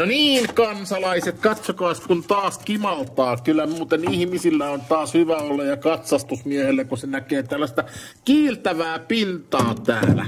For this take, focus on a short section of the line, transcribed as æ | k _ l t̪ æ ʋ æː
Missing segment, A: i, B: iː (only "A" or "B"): B